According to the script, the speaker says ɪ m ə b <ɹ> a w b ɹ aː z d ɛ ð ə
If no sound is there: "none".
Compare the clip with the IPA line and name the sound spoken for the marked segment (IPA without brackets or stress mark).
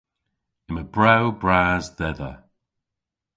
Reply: ɹ